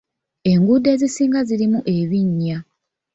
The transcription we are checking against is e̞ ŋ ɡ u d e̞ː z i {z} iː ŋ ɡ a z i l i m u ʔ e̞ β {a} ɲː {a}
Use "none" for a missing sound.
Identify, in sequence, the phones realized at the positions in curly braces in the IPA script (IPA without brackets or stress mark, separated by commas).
s, i, a